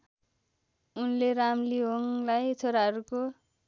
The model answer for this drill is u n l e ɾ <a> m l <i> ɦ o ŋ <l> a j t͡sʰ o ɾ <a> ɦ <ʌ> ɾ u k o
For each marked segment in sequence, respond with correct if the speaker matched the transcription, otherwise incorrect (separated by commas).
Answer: correct, correct, correct, correct, correct